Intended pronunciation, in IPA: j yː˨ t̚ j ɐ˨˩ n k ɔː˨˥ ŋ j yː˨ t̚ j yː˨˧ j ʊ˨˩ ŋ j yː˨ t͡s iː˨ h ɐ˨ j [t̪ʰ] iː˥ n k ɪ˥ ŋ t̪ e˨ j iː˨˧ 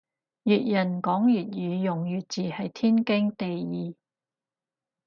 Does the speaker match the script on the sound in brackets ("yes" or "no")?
yes